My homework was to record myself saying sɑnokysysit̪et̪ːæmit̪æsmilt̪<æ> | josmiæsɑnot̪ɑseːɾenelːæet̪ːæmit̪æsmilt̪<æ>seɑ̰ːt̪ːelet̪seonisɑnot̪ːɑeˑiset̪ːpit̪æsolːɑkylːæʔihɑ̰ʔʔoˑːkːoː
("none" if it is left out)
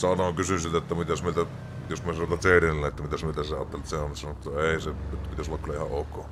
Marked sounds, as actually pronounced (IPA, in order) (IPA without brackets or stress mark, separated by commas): æ, æ